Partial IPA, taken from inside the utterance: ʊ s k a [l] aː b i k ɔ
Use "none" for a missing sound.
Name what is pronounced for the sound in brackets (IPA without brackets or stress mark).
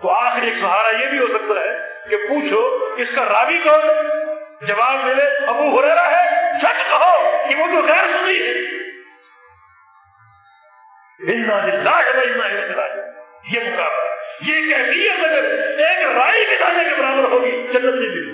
ɾ